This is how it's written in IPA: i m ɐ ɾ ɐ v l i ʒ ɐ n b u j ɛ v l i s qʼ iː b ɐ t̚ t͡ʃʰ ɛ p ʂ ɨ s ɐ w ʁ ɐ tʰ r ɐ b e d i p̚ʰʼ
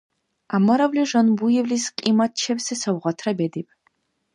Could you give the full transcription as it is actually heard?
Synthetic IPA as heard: a m ɐ ɾ ɐ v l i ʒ ɐ n b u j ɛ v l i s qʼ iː m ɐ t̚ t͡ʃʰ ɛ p s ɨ s ɐ w ʁ ɐ tʰ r ɐ b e d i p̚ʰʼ